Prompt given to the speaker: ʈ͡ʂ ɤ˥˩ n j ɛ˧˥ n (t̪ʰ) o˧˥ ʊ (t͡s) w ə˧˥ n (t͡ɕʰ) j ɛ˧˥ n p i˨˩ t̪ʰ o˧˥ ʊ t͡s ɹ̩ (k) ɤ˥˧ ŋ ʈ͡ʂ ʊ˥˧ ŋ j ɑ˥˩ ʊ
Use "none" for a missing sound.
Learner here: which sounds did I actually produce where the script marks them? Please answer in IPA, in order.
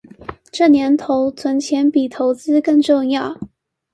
t̪ʰ, t͡sʰ, t͡ɕʰ, k

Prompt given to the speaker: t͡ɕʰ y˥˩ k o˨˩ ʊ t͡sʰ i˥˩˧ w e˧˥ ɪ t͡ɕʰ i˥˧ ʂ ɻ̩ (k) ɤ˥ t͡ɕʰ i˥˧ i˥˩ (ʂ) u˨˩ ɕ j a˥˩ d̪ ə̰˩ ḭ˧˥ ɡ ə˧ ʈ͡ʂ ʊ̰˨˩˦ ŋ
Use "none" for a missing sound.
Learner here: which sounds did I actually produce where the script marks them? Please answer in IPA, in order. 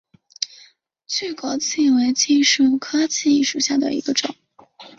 kʰ, ʂ

